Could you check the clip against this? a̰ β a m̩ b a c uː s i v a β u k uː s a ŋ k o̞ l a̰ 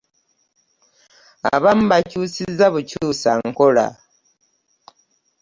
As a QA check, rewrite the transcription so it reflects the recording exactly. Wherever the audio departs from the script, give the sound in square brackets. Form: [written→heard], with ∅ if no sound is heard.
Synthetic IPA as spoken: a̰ β a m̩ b a c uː s i [v→z] a β u [k→c] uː s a ŋ k o̞ l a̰

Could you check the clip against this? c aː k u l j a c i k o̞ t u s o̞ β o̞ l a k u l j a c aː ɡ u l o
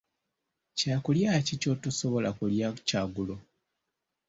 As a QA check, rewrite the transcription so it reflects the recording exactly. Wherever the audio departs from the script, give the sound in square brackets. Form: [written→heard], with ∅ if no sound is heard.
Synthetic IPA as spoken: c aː k u l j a c i [k→c] o̞ t u s o̞ β o̞ l a k u l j a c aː ɡ u l o

